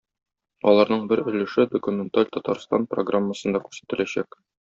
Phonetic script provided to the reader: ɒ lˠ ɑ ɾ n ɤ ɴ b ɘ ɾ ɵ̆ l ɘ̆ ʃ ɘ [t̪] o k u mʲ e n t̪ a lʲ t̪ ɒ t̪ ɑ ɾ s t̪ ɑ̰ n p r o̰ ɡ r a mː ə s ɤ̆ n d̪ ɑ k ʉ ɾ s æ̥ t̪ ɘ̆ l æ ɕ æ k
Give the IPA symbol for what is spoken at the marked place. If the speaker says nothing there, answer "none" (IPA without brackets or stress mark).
d̪